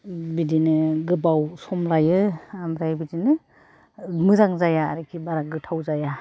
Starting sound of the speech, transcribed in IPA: b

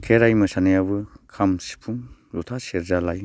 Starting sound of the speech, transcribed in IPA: kʰ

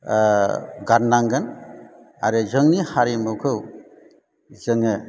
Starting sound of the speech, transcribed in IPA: ɡ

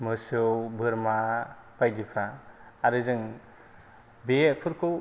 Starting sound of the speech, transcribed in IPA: m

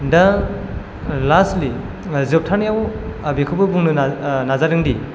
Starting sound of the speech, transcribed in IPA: d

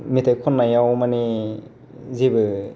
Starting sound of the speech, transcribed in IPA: m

